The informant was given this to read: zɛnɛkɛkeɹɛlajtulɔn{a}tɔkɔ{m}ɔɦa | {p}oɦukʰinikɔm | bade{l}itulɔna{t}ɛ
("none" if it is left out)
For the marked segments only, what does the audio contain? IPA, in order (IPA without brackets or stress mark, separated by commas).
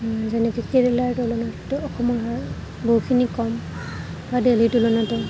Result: a, m, b, l, t